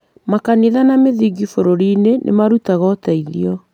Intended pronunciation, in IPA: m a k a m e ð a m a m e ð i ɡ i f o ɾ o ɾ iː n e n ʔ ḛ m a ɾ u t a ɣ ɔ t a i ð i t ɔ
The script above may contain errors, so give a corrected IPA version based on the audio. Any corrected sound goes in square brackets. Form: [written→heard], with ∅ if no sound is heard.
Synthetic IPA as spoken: m a k a [m→n] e ð a [m→n] a m e ð i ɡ i f o ɾ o ɾ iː n e n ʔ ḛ m a ɾ u t a ɣ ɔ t a i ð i [t→∅] ɔ